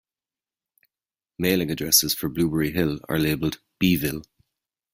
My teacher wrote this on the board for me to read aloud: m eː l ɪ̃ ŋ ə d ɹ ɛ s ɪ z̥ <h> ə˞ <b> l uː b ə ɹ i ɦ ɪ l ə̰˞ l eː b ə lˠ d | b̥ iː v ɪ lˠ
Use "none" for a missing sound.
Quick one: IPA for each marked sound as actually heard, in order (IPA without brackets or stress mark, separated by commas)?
f, b